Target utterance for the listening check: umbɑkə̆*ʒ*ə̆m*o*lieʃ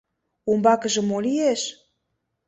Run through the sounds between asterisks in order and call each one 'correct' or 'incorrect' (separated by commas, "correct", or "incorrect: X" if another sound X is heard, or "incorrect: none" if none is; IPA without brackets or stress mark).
correct, correct